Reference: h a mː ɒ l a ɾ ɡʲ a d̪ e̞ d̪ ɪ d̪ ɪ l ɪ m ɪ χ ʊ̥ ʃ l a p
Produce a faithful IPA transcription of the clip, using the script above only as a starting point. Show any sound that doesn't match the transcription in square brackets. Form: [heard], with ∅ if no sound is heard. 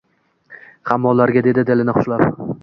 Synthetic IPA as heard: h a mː ɒ l a ɾ ɡʲ a d̪ e̞ d̪ ɪ d̪ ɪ l ɪ [n] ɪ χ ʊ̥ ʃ l a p